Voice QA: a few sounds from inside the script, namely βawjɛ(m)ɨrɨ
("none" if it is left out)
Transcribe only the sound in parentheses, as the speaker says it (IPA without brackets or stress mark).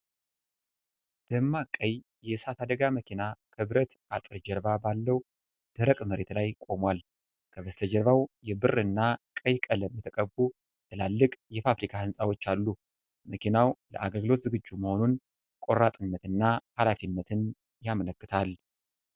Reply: b